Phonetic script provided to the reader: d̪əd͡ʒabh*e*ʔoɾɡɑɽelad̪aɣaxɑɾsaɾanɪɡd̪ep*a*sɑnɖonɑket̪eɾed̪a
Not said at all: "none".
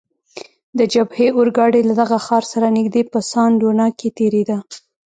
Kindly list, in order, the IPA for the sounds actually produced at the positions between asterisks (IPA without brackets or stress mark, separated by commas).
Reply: e, ə